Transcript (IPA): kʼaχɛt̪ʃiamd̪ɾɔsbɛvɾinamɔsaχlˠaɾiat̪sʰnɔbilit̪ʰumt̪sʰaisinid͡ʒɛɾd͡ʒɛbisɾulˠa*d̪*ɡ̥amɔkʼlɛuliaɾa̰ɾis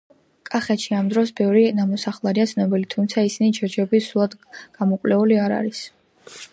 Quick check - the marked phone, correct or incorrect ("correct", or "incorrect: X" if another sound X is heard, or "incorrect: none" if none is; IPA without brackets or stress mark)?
correct